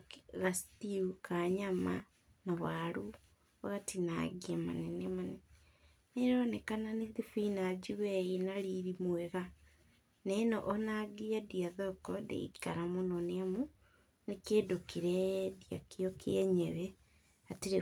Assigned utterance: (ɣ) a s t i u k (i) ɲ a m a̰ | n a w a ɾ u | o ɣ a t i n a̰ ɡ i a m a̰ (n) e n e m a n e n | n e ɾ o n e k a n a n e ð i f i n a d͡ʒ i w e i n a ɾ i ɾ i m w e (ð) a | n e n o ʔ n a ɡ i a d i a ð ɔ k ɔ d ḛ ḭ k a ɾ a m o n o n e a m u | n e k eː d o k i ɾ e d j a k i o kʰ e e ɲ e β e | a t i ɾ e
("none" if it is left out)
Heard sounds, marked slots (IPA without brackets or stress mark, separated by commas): ɣ, a, n, ɣ